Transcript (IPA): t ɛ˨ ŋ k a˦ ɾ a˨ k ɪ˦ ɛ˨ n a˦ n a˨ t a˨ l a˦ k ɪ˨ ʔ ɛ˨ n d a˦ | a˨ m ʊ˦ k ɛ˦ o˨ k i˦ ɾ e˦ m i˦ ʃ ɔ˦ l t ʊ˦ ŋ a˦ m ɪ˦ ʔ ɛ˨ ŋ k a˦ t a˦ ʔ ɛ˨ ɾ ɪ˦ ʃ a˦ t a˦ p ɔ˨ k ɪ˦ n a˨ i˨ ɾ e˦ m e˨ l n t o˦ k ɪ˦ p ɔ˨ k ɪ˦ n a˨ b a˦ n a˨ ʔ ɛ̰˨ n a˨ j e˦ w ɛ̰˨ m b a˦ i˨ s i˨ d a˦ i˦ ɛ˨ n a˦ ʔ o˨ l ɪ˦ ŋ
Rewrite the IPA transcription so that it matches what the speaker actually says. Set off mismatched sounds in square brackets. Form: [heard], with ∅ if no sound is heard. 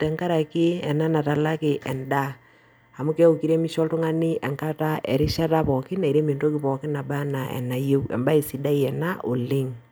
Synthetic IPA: t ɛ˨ ŋ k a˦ ɾ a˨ k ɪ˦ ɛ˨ n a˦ n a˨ t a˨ l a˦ k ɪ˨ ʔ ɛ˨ n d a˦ | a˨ m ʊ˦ k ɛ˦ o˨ k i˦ ɾ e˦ m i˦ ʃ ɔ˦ l t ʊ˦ ŋ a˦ [n] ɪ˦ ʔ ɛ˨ ŋ k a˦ t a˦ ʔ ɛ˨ ɾ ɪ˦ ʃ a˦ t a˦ p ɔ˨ k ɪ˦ n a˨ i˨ ɾ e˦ m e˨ [∅] n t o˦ k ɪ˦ p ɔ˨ k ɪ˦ n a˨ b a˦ n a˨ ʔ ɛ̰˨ n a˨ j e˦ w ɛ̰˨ m b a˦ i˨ s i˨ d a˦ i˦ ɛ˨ n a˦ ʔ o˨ l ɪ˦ ŋ

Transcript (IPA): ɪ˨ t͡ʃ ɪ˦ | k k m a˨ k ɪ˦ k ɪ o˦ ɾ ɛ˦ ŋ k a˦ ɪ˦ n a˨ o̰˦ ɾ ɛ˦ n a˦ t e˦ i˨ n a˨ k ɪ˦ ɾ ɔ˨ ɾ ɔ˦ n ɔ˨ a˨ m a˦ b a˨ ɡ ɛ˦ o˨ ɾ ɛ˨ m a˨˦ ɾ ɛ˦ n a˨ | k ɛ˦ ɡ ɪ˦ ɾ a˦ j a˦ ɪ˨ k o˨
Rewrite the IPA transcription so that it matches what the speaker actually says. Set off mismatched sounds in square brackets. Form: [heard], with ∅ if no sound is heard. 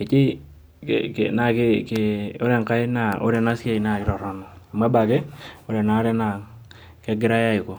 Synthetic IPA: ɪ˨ t͡ʃ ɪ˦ | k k [n] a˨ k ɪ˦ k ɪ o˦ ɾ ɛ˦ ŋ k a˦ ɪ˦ n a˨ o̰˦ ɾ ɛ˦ n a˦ [s] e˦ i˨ n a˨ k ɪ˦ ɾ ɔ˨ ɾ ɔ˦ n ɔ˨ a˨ m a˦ b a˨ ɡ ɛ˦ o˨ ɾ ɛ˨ [n] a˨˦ ɾ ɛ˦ n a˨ | k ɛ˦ ɡ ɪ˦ ɾ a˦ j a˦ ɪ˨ k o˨

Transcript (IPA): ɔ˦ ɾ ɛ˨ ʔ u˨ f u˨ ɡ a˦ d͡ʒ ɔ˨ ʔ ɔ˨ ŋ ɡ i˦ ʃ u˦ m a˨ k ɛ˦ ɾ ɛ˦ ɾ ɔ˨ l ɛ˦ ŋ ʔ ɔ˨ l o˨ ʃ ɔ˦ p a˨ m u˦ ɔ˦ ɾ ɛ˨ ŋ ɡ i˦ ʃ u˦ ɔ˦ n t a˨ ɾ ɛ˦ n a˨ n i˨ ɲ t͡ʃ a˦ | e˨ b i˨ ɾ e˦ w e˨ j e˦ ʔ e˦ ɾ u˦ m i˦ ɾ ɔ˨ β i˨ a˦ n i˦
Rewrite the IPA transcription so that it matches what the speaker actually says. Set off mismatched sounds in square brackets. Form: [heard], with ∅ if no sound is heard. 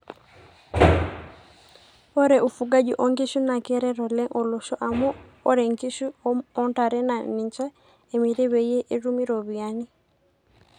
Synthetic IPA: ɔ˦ ɾ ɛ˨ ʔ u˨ f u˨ ɡ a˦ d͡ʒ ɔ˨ ʔ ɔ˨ ŋ ɡ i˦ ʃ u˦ [n] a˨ k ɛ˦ ɾ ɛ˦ ɾ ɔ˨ l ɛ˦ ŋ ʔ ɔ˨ l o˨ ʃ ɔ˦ [ʔ] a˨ m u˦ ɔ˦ ɾ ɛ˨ ŋ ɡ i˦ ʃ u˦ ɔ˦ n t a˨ ɾ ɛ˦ n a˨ n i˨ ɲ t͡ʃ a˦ | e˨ [m] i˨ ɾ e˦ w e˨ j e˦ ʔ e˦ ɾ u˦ m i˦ ɾ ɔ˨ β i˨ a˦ n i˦

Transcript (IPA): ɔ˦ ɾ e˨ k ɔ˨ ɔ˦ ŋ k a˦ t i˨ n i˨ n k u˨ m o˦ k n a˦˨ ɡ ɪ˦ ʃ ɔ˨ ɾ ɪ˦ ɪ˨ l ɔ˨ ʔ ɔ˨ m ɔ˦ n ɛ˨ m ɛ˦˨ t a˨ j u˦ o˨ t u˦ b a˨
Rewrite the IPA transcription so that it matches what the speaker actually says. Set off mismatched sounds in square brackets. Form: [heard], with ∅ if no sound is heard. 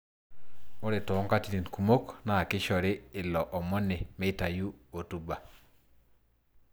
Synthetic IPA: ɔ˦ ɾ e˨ [t] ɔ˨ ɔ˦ ŋ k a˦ t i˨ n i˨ n k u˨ m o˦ k n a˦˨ [k] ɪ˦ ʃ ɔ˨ ɾ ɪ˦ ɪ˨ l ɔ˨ ʔ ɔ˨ m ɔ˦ n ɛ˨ m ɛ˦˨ t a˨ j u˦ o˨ t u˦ b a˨

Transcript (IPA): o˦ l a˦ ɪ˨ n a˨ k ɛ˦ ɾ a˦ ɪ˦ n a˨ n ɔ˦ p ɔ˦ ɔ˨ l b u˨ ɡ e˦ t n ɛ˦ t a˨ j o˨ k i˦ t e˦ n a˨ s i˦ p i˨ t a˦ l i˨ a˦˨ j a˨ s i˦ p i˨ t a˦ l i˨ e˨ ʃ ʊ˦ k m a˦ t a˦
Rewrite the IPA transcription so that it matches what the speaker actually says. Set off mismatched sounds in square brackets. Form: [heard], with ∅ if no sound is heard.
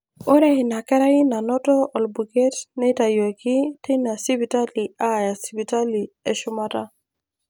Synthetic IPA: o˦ [ɾ] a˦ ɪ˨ n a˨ k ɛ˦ ɾ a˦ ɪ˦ n a˨ n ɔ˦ [t] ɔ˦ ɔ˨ l b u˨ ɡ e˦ t n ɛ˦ t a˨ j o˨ k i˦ t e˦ n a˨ s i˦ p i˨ t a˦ l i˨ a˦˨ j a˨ s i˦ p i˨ t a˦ l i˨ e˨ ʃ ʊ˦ [∅] m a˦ t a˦

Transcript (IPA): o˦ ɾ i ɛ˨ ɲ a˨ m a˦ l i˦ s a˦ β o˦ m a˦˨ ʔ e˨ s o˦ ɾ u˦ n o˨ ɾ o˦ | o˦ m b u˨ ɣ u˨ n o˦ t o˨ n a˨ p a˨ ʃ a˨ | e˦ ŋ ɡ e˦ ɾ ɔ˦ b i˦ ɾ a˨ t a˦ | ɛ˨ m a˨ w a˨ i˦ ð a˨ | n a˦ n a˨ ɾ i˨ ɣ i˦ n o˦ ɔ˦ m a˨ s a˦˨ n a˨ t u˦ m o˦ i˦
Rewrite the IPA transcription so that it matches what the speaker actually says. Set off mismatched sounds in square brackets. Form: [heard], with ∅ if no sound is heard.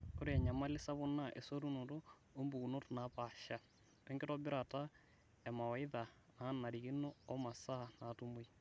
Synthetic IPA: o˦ ɾ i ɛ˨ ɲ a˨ m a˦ l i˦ s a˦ β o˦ [n] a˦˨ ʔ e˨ s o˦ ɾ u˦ n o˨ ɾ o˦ | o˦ m b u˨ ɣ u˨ n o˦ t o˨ n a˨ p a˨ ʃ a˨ | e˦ ŋ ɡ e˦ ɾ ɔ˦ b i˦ ɾ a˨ t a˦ | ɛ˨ m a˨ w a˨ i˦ ð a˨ | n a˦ n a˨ ɾ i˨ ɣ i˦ n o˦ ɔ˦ m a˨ s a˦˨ n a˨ t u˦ m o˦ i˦

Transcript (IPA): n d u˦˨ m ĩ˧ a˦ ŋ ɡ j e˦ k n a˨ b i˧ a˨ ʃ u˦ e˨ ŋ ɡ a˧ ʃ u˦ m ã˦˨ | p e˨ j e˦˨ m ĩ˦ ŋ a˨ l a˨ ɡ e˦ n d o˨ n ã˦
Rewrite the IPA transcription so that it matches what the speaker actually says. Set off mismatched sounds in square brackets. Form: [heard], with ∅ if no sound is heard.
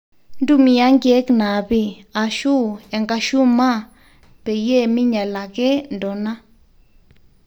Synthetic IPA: n d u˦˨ m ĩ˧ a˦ ŋ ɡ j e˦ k n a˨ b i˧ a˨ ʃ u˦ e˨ ŋ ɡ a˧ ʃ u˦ m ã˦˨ | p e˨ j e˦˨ m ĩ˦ [ɲ] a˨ l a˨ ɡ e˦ n d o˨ n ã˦

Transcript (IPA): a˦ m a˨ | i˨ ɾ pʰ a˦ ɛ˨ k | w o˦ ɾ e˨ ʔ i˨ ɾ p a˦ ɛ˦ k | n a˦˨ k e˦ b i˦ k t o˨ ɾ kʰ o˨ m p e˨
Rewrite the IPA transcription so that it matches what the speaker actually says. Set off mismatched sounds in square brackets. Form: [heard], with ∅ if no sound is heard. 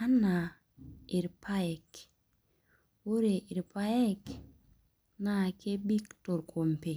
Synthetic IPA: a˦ [n] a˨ | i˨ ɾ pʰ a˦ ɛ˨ k | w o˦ ɾ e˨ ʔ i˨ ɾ p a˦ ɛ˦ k | n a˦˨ k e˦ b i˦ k t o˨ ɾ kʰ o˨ m p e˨

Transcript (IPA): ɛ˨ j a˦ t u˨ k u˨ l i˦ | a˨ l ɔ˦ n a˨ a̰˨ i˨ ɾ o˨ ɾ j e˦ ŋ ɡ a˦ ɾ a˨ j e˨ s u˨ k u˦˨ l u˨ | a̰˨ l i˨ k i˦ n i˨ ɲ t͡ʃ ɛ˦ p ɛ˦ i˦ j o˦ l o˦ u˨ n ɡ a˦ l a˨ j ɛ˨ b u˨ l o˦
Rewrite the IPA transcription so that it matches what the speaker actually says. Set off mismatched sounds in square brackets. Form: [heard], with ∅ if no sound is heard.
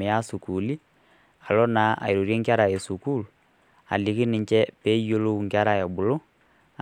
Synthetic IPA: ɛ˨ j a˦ [s] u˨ k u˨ l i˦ | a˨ l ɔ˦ n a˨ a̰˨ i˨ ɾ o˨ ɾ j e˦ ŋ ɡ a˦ ɾ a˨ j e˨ s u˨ k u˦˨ l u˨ | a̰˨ l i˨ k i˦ n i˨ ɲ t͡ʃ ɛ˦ p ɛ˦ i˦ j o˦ l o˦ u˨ [ŋ] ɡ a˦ [ɾ] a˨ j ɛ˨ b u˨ l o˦

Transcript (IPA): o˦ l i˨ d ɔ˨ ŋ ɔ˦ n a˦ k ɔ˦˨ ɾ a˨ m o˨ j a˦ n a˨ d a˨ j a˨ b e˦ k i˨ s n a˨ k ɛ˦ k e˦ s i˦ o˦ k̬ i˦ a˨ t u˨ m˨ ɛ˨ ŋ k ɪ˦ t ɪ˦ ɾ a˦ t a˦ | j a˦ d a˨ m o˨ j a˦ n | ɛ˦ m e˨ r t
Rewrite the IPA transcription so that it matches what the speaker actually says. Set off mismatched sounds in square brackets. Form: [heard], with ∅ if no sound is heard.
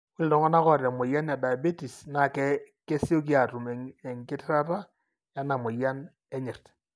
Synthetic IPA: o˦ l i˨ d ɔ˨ ŋ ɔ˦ n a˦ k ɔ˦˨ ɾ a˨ m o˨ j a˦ n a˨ d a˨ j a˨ b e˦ [t] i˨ s n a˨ k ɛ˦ k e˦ s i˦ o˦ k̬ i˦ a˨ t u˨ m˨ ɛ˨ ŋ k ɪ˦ t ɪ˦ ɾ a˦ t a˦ | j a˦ [n] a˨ m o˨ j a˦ n | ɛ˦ [ɲ] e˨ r t

